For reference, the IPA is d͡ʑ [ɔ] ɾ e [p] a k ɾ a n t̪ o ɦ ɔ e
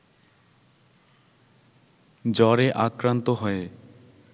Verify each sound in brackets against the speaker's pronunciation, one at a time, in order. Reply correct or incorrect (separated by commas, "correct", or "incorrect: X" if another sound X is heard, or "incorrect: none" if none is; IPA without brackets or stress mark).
correct, incorrect: ʔ